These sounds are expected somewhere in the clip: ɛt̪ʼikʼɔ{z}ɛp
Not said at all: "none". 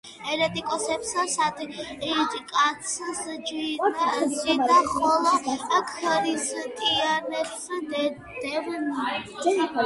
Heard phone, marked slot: s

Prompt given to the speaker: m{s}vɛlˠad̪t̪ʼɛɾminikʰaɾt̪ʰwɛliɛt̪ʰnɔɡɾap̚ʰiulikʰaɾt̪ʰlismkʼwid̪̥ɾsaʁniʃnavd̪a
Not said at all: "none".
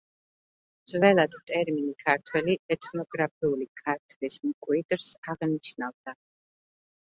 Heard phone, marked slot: z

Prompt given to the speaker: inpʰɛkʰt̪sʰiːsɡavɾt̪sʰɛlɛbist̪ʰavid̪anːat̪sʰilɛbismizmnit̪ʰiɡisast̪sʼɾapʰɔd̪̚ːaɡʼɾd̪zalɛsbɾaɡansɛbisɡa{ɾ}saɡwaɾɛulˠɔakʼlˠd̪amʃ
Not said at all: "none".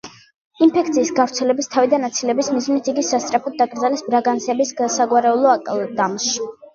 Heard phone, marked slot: none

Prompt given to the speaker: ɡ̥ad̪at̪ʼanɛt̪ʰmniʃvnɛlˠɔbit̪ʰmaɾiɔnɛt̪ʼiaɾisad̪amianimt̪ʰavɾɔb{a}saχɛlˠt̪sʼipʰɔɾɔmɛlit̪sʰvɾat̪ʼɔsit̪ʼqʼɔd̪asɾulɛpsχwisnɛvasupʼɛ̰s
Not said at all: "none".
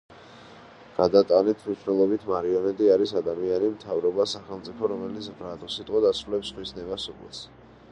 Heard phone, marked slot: a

